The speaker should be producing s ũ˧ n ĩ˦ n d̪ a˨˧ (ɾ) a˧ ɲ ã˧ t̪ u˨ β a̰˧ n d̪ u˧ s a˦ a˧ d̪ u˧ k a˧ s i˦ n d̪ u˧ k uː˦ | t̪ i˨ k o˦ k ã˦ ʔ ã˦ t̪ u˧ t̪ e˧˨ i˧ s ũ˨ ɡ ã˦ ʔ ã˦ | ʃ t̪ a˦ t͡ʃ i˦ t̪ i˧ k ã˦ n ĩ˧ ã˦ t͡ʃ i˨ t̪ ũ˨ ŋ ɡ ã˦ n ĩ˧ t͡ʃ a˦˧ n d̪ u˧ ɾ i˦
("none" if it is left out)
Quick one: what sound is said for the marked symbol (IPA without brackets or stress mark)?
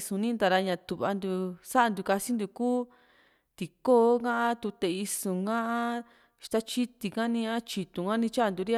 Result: ɾ